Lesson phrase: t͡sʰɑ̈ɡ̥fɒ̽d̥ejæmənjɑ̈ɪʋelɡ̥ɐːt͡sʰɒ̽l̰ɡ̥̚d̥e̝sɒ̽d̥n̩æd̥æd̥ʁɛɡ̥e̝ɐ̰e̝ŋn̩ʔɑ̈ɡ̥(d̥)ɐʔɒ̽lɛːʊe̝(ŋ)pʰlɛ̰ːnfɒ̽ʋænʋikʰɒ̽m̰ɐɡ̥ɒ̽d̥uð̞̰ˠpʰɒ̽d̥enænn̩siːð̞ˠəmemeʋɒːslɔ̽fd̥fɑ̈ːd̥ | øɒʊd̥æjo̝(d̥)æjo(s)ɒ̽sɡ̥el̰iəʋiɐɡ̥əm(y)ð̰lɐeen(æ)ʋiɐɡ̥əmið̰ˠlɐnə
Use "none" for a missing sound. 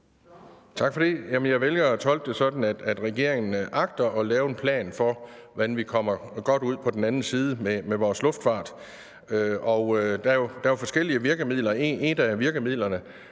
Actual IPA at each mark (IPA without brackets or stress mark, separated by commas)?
d̥, n, d̥, f, i, æ